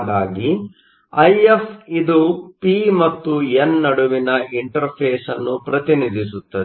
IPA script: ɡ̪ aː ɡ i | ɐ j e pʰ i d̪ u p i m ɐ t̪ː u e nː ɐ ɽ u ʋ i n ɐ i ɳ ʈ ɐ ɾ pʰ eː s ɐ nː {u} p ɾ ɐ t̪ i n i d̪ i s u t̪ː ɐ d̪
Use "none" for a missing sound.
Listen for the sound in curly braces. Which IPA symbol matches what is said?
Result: u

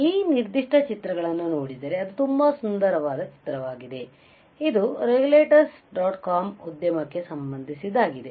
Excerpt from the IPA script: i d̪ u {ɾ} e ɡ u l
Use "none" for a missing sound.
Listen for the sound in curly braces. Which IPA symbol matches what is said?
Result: ɾ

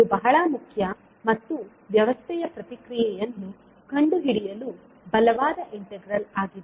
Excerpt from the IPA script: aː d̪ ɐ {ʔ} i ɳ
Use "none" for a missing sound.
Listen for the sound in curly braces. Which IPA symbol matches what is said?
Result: ʔ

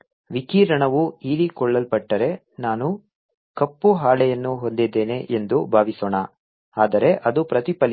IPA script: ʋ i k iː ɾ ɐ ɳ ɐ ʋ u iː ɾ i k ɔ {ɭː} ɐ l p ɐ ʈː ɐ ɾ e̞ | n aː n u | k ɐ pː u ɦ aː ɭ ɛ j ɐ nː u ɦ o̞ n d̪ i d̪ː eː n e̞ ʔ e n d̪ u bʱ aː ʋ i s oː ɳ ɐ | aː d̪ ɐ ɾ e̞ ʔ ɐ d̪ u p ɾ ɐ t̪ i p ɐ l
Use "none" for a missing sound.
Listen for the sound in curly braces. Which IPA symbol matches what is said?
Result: ɭː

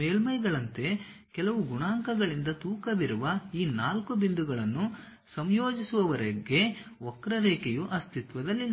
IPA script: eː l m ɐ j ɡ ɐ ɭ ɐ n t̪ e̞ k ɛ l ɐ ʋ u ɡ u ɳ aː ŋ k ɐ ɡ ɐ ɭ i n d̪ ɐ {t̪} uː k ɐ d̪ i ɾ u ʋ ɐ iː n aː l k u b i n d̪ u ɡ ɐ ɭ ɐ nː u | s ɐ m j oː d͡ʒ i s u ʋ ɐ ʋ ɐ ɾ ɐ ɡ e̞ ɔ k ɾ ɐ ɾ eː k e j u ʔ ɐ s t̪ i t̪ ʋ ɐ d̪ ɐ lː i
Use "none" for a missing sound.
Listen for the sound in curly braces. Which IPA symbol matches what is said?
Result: t̪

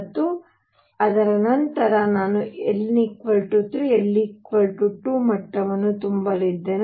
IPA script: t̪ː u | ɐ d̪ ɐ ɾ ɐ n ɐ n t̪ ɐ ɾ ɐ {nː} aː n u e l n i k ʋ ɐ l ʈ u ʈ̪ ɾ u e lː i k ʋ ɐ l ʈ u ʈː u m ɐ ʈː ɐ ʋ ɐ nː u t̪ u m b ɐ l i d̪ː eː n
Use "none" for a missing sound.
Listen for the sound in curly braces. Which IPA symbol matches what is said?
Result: n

